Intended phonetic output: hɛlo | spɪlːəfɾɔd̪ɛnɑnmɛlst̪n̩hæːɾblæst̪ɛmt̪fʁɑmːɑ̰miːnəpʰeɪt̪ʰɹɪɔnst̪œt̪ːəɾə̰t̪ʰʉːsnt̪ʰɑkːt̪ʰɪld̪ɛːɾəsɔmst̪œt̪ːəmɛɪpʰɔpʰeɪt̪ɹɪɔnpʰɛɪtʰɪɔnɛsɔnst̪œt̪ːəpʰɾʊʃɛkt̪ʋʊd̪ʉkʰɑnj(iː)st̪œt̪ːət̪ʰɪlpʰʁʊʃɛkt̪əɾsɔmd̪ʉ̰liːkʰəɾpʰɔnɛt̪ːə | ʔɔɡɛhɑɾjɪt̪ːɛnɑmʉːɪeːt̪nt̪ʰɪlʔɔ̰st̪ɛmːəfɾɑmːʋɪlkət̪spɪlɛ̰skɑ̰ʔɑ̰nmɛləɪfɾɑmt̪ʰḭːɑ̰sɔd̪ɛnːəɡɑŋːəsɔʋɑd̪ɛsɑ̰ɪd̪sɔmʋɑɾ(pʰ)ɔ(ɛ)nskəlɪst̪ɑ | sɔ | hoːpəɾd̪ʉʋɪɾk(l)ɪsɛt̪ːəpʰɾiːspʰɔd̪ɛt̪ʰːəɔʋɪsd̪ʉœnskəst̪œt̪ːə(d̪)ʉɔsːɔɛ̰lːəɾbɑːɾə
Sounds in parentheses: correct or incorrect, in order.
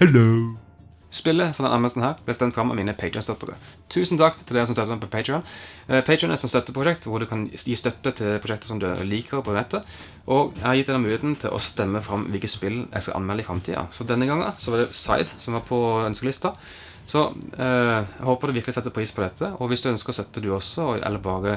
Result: correct, correct, incorrect, correct, correct

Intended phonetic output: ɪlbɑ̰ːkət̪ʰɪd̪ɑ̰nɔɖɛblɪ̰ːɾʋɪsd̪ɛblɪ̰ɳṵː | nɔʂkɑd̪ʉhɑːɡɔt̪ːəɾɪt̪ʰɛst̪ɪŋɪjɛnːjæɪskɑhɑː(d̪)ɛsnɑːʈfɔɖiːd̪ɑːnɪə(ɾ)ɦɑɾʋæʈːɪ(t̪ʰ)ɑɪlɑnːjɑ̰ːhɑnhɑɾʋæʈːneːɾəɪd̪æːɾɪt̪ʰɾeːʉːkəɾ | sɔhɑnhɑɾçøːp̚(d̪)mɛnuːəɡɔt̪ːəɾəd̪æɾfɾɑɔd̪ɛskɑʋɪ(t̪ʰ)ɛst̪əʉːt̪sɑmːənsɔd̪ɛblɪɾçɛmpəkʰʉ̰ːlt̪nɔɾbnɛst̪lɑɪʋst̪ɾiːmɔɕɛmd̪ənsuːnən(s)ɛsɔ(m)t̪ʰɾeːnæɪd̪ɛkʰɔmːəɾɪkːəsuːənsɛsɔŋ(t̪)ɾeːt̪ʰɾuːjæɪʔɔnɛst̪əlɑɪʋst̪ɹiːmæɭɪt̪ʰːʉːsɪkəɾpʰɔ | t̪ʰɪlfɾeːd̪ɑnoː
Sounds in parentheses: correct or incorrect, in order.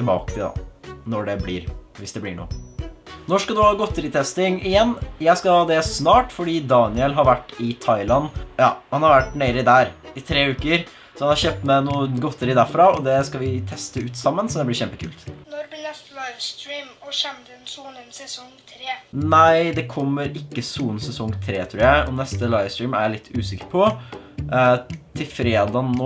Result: correct, incorrect, correct, incorrect, correct, correct, incorrect, incorrect

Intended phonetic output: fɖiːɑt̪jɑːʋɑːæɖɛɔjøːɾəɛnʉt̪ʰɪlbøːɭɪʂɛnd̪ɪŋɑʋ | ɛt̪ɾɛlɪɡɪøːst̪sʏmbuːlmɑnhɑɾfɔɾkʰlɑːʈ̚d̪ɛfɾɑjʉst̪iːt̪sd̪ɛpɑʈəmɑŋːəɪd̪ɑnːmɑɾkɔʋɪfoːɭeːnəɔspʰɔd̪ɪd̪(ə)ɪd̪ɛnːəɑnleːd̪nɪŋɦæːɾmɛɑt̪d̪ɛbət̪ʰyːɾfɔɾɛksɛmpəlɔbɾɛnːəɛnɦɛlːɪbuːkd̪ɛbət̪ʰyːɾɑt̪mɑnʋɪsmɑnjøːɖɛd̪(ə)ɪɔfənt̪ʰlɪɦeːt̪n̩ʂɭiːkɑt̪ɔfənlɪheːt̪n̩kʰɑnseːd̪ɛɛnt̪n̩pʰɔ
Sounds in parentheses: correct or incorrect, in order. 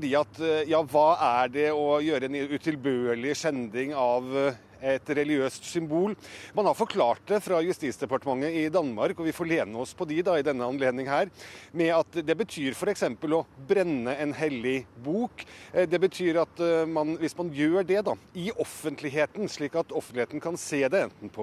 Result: incorrect, incorrect

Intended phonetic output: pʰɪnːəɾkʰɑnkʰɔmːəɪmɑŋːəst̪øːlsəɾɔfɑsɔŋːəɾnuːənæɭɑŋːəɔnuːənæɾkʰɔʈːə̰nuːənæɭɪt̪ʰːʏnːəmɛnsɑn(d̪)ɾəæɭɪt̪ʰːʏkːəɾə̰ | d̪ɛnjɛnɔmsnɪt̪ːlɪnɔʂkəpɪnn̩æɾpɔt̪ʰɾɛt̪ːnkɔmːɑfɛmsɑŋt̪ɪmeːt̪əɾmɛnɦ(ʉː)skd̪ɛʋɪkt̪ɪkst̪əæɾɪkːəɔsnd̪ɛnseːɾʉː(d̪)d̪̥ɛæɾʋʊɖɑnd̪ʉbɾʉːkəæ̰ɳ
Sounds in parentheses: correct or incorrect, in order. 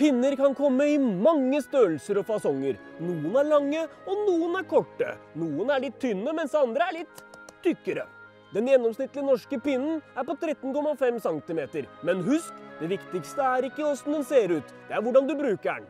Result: correct, incorrect, incorrect

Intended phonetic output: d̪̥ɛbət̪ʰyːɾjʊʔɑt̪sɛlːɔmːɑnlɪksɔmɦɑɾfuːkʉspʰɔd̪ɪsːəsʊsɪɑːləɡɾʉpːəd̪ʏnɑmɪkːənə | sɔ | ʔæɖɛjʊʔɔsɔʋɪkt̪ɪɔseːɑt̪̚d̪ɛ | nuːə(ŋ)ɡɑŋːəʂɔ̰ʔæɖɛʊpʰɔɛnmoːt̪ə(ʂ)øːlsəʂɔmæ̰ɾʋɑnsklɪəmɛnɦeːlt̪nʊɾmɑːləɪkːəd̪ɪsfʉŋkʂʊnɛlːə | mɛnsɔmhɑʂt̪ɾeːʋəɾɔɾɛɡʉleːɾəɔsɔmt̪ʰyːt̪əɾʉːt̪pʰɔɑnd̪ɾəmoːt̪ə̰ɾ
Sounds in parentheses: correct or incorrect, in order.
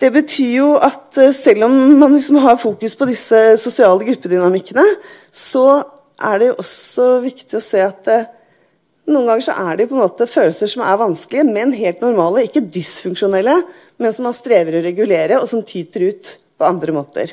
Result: incorrect, incorrect

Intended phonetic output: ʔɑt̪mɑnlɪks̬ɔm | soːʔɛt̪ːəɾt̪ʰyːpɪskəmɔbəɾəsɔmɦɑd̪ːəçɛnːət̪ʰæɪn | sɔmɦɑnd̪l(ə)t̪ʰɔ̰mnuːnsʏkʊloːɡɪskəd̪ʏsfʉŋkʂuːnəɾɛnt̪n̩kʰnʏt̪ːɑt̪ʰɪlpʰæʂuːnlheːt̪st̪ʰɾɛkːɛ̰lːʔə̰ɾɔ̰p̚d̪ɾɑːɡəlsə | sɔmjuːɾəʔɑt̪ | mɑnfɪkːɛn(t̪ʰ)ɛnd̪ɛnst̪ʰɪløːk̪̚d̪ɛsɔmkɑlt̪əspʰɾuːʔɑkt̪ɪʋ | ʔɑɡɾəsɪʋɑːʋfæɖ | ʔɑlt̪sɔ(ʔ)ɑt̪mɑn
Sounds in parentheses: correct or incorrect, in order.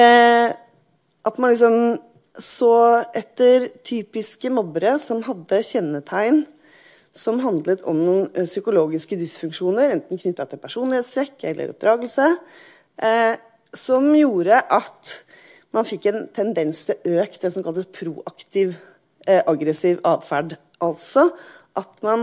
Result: correct, correct, correct

